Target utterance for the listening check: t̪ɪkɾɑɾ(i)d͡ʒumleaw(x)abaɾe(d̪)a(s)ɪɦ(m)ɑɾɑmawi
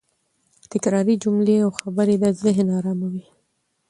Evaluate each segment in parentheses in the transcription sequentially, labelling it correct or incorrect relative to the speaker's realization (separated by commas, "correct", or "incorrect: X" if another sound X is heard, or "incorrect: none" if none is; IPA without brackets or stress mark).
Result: correct, correct, correct, incorrect: z, incorrect: n